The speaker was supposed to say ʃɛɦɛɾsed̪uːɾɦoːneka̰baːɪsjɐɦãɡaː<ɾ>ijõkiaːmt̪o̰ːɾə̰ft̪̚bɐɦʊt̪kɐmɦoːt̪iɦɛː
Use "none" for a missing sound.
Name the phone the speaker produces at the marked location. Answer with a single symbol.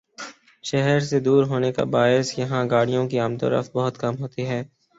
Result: ɽ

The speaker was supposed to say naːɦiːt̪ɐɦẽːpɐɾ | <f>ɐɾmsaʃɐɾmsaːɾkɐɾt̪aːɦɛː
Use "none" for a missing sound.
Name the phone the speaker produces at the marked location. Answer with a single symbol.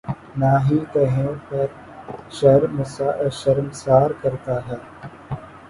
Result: ʃ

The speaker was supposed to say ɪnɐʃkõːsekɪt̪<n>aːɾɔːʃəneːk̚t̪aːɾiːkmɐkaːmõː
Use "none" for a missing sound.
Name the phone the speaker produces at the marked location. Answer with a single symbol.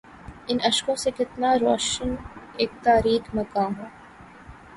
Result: n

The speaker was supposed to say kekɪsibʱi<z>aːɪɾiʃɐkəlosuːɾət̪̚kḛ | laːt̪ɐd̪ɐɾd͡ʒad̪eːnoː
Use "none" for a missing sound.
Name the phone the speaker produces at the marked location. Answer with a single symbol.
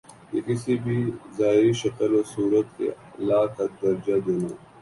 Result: z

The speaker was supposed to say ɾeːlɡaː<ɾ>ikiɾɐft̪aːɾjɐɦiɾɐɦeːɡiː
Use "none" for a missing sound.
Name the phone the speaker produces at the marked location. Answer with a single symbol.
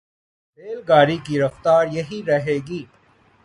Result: ɾ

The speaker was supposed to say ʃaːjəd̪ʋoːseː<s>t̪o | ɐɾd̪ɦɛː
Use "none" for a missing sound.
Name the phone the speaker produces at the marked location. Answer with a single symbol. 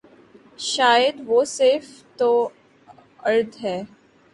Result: f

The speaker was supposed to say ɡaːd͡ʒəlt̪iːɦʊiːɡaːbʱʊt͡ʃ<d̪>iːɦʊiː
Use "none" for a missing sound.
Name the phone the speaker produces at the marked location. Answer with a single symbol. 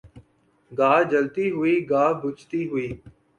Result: t̪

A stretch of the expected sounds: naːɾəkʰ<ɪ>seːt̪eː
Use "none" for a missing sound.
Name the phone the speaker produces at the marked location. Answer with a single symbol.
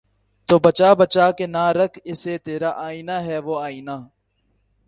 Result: ɪ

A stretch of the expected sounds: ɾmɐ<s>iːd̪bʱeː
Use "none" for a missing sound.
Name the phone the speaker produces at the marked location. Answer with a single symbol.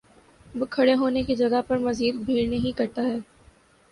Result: z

